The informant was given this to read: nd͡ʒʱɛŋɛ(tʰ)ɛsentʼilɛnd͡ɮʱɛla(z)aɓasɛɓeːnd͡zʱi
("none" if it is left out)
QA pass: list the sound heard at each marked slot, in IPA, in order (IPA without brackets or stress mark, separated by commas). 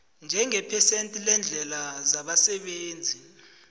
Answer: pʰ, z